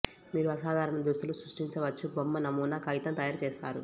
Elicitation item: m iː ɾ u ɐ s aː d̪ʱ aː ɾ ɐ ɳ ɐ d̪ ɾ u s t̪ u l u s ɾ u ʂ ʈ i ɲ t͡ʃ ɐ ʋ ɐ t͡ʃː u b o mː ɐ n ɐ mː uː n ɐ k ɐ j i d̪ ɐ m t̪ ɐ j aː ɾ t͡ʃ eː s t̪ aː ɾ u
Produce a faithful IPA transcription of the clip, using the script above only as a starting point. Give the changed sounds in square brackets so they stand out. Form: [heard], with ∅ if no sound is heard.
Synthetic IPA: m iː ɾ u ɐ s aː d̪ʱ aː ɾ ɐ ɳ ɐ d̪ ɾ u s t̪ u l u s ɾ u ʂ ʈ i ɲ t͡ʃ ɐ ʋ ɐ t͡ʃː u b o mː ɐ n ɐ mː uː n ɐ k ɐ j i [t̪] ɐ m t̪ ɐ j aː ɾ t͡ʃ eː s t̪ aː ɾ u